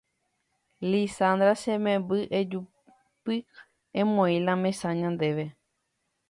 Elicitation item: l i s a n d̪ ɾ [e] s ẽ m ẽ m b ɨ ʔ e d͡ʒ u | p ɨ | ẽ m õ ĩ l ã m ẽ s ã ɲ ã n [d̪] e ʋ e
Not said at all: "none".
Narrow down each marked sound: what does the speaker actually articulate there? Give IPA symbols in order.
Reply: a, d̪

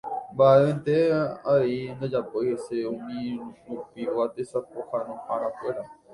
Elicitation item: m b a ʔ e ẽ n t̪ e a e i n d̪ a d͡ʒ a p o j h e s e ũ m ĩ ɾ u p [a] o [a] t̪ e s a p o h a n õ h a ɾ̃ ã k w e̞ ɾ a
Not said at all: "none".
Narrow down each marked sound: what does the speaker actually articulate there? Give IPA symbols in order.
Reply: i, a

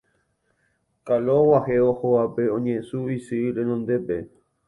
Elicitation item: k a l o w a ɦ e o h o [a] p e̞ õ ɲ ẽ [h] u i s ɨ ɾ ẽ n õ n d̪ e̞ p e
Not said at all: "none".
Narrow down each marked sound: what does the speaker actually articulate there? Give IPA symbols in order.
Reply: a, s

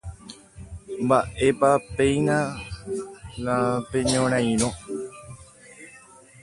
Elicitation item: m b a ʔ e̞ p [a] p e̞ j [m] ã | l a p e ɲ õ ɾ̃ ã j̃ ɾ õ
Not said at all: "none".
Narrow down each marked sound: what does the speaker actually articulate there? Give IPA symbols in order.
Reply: a, n

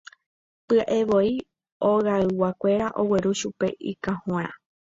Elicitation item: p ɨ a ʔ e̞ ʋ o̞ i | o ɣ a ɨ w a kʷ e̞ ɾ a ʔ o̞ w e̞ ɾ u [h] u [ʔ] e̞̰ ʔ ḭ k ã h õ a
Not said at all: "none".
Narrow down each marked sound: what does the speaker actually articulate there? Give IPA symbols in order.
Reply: ʃ, p

